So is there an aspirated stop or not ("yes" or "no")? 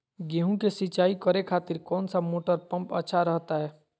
yes